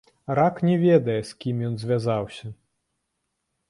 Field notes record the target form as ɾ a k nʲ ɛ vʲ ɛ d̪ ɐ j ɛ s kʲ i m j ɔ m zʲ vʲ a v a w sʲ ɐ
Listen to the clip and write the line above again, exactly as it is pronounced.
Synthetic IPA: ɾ a k nʲ ɛ vʲ ɛ d̪ ɐ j ɛ s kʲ i m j ɔ n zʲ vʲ a z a w sʲ ɐ